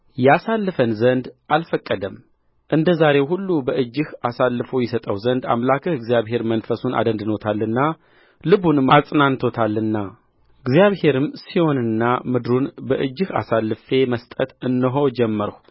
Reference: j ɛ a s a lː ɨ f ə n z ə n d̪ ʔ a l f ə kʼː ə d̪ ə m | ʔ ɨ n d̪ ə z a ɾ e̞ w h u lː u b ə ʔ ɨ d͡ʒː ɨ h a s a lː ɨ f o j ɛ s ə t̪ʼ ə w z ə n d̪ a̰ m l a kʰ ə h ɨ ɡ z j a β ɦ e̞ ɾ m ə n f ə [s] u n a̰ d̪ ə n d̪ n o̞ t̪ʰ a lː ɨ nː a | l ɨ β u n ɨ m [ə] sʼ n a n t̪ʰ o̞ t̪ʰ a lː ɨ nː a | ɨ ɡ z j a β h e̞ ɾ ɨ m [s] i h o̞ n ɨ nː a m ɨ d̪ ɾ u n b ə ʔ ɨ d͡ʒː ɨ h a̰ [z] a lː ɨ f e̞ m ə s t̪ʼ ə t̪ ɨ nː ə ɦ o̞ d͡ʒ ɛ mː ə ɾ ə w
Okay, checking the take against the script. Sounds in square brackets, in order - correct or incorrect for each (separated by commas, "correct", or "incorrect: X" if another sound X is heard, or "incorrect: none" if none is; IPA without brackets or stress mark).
correct, incorrect: a, correct, incorrect: s